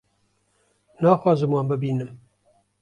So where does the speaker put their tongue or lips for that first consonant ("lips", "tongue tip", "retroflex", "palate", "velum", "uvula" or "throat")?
tongue tip